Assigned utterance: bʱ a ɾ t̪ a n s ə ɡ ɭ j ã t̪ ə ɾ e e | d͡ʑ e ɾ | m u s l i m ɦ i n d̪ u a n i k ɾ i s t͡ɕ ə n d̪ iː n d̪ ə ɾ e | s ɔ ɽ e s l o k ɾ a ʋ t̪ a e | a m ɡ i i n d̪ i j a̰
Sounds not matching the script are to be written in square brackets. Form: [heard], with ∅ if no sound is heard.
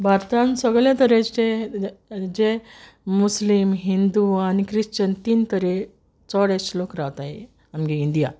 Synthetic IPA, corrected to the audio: bʱ a ɾ t̪ a n s ə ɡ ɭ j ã t̪ ə ɾ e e | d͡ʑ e [∅] | m u s l i m ɦ i n d̪ u a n i k ɾ i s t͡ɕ ə n [t̪] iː n [t̪] ə ɾ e | [t͡s] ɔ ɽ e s l o k ɾ a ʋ t̪ a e | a m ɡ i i n d̪ i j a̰